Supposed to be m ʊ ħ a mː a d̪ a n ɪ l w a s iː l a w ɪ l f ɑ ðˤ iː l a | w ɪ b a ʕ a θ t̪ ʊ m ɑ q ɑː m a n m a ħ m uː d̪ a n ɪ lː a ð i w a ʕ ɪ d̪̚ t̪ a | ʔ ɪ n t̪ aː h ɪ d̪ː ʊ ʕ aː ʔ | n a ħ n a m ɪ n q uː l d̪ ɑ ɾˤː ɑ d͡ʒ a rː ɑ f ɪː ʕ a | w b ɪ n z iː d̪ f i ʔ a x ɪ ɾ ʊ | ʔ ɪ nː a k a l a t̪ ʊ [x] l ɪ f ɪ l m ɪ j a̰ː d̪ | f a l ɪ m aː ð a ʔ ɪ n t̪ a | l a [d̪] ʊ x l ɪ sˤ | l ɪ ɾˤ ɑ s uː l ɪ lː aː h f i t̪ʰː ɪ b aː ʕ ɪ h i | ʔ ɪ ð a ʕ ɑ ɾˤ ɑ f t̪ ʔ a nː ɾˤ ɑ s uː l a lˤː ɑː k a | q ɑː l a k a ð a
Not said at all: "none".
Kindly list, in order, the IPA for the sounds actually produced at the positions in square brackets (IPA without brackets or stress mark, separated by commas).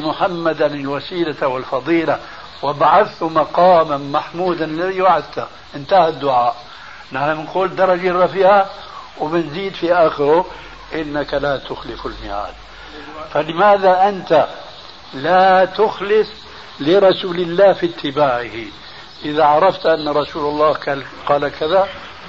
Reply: x, t̪